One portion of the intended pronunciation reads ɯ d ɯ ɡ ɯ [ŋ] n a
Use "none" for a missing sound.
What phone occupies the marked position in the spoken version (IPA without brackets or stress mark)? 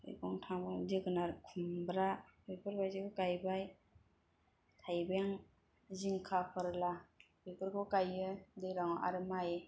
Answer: none